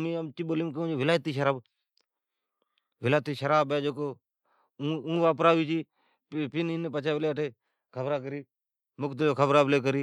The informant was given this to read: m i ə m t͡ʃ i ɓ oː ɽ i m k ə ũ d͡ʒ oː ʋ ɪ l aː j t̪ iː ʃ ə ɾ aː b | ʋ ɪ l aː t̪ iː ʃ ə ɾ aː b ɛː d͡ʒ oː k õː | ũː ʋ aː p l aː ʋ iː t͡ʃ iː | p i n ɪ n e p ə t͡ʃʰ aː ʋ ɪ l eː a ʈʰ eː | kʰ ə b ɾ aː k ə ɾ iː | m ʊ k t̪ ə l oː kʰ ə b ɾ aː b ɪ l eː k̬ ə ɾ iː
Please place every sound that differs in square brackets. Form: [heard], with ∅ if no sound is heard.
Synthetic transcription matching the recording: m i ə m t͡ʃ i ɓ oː [l] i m k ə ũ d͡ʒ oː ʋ ɪ l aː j t̪ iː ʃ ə ɾ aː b | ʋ ɪ l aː t̪ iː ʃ ə ɾ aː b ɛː d͡ʒ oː k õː | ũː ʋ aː p [ɾ] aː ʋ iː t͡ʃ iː | p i n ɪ n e p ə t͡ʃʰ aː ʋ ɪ l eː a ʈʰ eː | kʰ ə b ɾ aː k ə ɾ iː | m ʊ k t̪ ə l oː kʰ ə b ɾ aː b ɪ l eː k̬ ə ɾ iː